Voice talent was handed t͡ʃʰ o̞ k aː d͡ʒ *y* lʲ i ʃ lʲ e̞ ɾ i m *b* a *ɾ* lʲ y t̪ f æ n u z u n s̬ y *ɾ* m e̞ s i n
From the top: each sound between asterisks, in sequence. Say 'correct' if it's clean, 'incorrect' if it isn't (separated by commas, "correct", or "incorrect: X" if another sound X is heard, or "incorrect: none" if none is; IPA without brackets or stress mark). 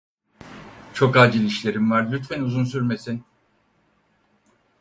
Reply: incorrect: i, incorrect: v, correct, correct